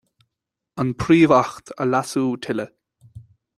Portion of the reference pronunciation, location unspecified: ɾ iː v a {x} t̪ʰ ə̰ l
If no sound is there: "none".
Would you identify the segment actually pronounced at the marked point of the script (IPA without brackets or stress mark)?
x